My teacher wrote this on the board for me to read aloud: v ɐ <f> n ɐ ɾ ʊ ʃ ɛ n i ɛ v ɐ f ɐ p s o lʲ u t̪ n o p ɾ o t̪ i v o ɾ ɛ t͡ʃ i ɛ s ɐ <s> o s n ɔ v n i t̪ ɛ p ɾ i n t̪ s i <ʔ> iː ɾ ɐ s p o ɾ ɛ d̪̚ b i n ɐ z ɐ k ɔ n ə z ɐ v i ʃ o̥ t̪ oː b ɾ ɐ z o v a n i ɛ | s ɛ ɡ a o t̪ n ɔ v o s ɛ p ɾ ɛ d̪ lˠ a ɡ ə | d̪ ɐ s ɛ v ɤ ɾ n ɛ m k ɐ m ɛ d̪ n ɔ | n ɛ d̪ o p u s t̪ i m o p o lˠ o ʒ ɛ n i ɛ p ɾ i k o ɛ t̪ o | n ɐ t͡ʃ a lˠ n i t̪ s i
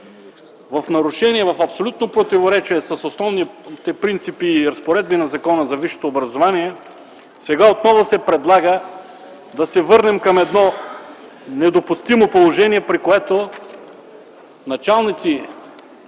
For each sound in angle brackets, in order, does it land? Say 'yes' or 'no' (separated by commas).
yes, yes, no